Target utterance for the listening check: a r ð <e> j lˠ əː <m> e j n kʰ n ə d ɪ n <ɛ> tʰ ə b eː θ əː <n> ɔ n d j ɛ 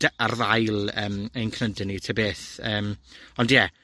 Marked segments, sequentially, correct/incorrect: incorrect, correct, incorrect, incorrect

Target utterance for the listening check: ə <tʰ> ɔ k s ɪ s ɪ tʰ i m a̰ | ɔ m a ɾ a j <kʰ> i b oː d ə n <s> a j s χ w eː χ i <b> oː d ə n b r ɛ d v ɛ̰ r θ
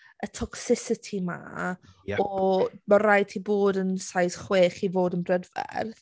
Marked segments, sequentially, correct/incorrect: correct, incorrect, correct, incorrect

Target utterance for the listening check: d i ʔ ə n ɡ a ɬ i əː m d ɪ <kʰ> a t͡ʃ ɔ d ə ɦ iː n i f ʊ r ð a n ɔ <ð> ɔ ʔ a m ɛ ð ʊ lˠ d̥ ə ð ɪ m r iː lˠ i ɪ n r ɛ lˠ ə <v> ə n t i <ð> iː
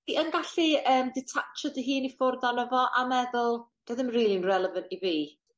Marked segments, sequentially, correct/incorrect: incorrect, incorrect, correct, incorrect

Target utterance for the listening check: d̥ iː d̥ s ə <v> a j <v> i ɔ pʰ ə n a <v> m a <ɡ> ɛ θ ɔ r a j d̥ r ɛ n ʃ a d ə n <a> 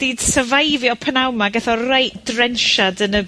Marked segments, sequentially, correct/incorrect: correct, correct, incorrect, correct, incorrect

